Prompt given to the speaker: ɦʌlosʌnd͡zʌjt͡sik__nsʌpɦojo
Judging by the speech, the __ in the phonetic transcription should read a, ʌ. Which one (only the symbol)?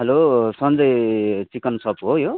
ʌ